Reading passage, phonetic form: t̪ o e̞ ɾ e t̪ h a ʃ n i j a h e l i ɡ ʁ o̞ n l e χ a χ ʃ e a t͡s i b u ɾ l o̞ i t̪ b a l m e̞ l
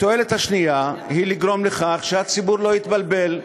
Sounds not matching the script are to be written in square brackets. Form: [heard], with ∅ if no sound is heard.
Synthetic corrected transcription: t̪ o e̞ [l] e t̪ h a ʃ n i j a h [i] l i ɡ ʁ o̞ [m] l e χ a χ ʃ e a t͡s i b u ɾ l o̞ i t̪ b a l [b] e̞ l